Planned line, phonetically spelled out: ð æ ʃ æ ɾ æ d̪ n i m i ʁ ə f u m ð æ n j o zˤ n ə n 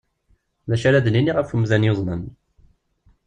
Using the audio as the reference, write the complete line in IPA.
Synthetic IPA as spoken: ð æ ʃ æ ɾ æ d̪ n i n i ʁ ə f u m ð æ n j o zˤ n ə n